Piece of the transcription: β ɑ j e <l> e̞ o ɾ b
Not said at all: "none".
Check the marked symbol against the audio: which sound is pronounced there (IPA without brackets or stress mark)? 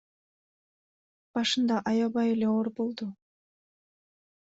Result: l